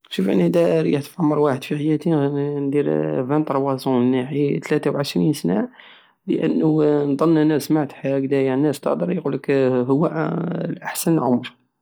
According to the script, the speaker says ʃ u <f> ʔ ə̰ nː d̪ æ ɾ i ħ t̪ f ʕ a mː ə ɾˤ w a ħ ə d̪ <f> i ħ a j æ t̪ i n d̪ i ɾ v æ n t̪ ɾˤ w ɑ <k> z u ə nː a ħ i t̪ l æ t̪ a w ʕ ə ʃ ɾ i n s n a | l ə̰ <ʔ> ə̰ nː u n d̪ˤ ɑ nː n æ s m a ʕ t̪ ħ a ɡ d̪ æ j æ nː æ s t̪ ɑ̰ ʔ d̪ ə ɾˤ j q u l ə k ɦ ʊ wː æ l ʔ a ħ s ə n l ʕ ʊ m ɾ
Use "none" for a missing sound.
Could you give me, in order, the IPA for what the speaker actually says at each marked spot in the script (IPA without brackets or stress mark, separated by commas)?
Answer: f, f, none, ʔ